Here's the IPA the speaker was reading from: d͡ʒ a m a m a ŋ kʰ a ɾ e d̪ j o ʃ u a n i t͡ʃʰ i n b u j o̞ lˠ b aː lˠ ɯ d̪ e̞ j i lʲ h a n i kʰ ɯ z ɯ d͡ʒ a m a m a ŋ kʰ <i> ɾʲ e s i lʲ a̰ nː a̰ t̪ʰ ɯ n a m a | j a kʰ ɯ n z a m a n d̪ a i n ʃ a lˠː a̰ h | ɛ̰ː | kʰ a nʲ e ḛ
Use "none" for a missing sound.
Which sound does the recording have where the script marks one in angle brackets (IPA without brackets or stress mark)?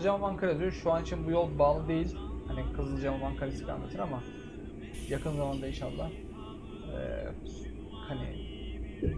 a